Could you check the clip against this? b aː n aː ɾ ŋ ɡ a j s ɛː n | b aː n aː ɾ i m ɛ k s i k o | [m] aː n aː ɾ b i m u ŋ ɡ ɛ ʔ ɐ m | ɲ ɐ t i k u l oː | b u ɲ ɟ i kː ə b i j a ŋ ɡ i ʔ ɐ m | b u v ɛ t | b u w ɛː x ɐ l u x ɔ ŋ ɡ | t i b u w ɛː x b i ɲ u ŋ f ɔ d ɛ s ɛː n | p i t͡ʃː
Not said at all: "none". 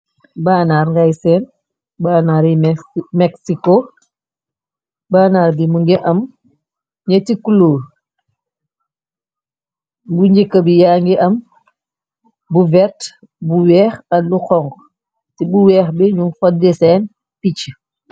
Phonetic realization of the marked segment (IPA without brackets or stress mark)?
b